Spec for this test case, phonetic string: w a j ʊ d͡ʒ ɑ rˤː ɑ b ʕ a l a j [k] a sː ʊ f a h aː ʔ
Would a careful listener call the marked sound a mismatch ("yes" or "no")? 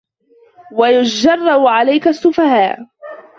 no